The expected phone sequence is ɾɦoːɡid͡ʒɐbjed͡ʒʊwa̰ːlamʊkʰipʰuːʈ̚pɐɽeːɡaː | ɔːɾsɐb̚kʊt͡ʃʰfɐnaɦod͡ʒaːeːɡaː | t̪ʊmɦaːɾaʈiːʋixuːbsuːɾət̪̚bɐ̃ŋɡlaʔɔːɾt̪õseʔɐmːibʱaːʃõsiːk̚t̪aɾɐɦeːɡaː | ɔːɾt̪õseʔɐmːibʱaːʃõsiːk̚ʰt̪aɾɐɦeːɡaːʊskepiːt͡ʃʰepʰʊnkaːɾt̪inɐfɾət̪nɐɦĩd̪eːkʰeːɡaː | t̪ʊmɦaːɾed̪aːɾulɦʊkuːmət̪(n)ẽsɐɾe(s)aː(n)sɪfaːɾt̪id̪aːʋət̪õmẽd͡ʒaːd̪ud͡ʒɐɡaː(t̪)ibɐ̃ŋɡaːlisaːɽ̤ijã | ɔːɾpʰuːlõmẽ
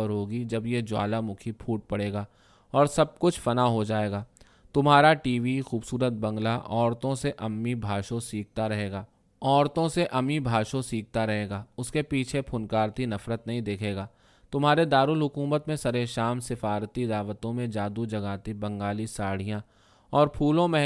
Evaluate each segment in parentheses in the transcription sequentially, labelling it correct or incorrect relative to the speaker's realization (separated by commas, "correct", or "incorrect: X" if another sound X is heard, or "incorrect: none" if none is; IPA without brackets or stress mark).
incorrect: m, incorrect: ʃ, incorrect: m, correct